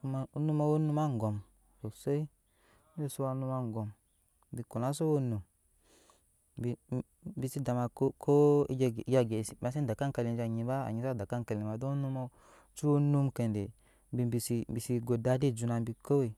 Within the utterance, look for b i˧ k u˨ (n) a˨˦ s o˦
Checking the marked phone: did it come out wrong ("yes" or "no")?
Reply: no